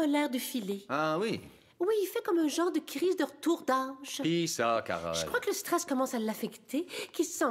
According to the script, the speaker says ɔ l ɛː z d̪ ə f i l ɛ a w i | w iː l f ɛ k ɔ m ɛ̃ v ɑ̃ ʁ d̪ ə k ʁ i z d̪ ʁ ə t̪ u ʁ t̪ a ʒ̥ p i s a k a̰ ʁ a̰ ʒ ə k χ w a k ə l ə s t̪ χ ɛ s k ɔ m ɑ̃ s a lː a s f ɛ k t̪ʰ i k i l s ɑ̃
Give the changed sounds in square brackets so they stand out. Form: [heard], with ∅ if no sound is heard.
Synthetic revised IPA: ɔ l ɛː [ʁ] d̪ ə f i l [e] a w i | w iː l f ɛ k ɔ m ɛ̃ [ʒ] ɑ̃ ʁ d̪ ə k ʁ i z d̪ ʁ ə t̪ u ʁ [d̪] a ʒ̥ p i s a k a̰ ʁ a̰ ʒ ə k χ w a k ə l ə s t̪ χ ɛ s k ɔ m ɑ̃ s a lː a [∅] f ɛ k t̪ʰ [e] k i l s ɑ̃